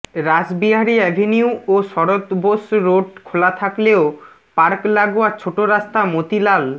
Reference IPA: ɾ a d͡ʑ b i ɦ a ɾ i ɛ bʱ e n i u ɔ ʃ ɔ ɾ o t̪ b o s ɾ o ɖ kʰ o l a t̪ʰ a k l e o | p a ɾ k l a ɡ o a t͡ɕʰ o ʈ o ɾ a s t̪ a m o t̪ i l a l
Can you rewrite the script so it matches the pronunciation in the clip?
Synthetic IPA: ɾ a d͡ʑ b i ɦ a ɾ i ɛ bʱ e n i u o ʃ ɔ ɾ o t̪ b o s ɾ o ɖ kʰ o l a t̪ʰ a k l e o | p a ɾ k l a ɡ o a t͡ɕʰ o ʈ o ɾ a s t̪ a m o t̪ i l a l